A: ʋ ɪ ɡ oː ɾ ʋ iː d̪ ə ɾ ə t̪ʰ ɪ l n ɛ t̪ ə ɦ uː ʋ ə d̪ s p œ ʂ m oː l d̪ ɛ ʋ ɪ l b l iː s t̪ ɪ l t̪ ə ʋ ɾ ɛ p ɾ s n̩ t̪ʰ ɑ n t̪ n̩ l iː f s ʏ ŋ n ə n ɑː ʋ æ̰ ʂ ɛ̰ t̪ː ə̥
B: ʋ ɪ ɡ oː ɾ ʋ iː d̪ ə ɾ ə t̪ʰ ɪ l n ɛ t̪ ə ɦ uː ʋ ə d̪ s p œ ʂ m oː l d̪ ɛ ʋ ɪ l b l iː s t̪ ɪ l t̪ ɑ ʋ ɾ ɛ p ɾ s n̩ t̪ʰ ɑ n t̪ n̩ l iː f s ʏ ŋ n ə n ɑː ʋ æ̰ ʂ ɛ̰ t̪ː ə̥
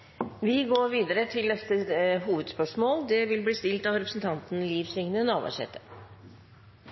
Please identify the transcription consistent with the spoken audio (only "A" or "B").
B